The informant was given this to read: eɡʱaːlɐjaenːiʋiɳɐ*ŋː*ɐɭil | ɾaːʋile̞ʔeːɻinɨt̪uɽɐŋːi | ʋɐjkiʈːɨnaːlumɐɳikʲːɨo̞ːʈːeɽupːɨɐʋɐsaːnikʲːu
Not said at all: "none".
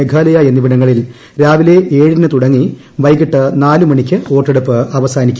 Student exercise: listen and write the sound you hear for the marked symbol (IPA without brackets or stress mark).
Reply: ŋː